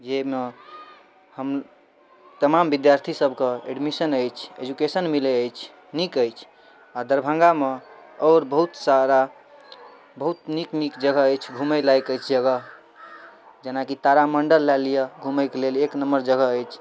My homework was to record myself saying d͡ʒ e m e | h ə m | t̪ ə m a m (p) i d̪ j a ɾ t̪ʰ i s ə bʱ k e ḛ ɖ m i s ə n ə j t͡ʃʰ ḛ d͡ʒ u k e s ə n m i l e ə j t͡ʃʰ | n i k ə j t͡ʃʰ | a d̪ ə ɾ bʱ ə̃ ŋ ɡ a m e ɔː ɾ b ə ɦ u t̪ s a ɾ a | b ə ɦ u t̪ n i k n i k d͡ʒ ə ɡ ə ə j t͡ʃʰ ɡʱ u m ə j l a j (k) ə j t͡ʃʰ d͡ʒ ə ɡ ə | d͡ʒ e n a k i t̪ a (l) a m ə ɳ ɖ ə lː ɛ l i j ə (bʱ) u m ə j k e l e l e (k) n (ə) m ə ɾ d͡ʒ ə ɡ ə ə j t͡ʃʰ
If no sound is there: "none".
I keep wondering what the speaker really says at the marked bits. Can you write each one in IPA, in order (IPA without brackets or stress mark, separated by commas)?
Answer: b, k, ɾ, ɡʱ, k, ə